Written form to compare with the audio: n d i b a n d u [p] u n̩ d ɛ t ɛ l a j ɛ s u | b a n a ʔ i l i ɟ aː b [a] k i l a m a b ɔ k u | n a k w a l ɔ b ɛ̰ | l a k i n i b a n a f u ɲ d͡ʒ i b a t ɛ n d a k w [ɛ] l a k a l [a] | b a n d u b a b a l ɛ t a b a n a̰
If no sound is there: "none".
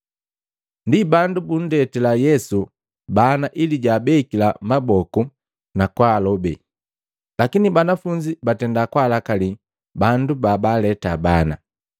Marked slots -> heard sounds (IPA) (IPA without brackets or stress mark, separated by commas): b, ɛ, a, i